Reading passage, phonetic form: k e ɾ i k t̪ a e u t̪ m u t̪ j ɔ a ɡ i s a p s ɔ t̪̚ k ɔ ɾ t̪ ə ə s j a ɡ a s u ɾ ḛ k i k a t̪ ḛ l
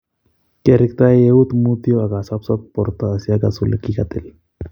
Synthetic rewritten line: k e ɾ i k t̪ a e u t̪ m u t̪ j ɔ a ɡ a s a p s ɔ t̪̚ p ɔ ɾ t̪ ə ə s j a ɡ a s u l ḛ k i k a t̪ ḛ l